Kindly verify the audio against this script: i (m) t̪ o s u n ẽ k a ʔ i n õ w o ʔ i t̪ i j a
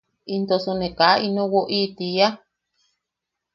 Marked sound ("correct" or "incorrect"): incorrect